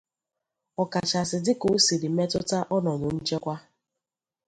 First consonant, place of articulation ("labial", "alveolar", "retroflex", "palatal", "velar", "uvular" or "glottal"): velar